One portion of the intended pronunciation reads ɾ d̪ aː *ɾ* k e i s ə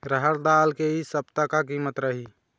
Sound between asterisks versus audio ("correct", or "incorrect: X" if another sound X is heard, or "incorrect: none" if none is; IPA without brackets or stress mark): incorrect: l